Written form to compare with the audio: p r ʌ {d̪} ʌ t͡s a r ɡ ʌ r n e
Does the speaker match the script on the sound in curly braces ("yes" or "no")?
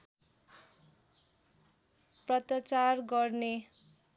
no